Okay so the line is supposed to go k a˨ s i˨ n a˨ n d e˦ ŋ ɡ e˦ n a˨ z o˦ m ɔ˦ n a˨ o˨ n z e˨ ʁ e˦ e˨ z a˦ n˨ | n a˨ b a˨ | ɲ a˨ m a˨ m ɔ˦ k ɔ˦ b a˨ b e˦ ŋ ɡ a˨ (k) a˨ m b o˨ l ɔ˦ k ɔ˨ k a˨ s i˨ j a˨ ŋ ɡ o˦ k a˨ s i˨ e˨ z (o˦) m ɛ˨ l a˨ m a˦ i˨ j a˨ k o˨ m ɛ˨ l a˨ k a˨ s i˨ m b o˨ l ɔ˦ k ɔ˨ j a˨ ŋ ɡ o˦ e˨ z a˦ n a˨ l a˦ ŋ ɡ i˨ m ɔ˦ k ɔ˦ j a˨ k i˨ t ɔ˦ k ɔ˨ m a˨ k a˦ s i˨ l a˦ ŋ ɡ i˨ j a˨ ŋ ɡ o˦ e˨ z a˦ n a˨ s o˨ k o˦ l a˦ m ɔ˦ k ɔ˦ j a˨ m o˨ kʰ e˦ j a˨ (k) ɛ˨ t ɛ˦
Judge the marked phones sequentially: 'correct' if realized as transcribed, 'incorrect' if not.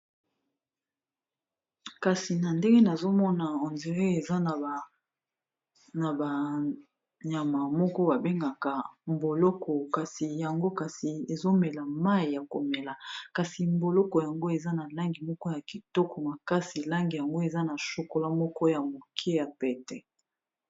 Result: correct, correct, incorrect: p

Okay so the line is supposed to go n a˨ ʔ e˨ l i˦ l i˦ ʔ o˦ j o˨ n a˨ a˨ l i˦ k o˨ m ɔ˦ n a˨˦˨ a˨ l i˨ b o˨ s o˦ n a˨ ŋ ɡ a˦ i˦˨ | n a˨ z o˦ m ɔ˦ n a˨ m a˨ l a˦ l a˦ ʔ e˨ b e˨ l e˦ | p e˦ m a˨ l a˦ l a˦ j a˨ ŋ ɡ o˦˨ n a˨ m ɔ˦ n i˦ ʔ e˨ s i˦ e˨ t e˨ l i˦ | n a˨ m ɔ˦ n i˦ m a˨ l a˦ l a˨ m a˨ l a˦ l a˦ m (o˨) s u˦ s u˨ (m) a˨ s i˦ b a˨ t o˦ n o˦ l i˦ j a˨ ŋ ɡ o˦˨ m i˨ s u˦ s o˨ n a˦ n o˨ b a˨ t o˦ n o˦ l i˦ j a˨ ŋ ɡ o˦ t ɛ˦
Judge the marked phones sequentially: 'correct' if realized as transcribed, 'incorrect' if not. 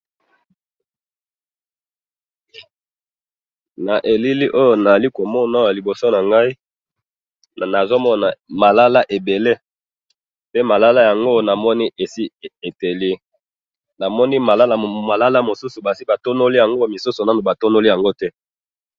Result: correct, incorrect: b

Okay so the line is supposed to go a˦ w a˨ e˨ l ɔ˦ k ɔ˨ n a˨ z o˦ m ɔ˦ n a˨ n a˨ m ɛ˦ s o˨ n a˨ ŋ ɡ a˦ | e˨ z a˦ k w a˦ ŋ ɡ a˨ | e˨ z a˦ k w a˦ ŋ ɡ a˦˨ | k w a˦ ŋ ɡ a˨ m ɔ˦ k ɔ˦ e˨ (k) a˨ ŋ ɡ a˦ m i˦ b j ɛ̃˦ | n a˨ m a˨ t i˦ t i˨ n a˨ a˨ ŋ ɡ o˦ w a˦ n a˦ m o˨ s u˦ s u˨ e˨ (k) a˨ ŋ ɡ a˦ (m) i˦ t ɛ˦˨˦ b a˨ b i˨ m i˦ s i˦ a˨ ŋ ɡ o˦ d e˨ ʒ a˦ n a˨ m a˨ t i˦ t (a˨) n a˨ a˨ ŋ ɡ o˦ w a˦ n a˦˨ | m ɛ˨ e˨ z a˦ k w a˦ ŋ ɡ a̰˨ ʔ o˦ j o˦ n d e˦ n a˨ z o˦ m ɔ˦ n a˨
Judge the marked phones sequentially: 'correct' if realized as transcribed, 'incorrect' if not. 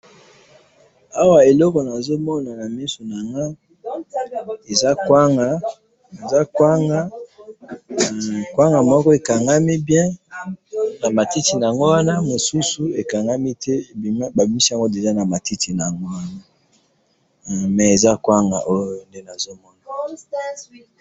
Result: correct, correct, correct, incorrect: i˨

